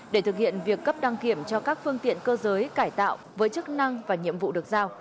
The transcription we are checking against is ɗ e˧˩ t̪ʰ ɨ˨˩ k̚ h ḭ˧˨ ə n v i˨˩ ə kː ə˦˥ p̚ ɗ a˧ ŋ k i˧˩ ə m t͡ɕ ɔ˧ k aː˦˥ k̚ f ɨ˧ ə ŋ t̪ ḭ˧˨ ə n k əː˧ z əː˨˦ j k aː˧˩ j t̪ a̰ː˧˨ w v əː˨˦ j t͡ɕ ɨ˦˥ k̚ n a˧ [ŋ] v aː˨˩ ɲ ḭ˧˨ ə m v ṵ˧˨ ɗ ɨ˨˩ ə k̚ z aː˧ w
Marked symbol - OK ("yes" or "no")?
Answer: yes